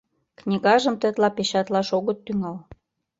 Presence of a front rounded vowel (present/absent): present